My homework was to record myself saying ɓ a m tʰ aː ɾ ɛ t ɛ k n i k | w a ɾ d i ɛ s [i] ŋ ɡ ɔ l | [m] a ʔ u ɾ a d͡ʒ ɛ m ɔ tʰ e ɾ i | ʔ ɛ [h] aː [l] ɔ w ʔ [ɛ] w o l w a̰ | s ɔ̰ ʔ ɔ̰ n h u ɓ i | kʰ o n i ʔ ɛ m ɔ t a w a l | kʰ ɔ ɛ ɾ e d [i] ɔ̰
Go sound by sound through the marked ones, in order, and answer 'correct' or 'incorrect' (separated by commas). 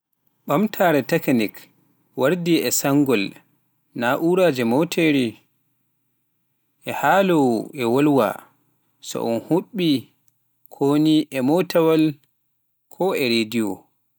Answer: incorrect, incorrect, correct, correct, correct, correct